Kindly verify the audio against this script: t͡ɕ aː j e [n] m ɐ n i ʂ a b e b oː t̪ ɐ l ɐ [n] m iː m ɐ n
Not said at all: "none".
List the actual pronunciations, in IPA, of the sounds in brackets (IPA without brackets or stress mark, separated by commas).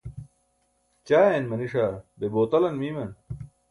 n, n